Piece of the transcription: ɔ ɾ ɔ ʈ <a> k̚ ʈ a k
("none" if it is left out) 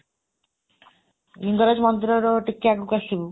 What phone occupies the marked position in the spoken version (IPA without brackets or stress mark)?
i